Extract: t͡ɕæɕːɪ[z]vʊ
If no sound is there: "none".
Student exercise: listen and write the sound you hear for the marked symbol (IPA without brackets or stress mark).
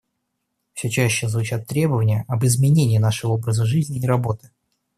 z